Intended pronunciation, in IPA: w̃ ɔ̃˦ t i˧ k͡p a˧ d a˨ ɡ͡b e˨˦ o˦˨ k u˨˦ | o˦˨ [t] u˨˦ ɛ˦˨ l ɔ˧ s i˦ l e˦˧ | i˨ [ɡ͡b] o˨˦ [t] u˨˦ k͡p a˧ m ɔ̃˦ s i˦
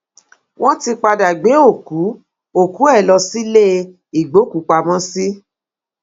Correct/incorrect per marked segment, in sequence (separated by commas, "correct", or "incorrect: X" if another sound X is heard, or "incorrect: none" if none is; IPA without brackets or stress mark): incorrect: k, correct, incorrect: k